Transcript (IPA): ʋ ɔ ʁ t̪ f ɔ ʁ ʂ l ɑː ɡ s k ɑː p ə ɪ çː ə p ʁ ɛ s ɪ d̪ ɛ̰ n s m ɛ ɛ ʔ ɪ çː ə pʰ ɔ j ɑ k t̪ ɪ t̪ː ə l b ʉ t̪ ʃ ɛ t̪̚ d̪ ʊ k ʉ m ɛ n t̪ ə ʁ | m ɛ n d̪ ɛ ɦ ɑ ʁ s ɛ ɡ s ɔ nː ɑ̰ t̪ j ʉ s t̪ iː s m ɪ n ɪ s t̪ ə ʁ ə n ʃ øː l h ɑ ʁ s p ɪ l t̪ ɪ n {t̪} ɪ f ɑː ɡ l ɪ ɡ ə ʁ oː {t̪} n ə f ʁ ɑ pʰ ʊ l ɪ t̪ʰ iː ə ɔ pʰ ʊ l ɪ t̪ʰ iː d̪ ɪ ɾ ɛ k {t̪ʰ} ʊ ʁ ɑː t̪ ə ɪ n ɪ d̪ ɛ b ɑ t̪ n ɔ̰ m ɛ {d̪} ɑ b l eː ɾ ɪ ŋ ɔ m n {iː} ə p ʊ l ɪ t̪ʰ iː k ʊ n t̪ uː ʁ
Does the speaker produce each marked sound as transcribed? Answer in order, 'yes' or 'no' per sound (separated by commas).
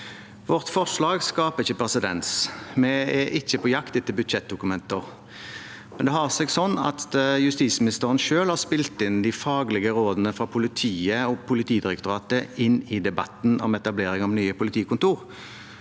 no, no, no, no, no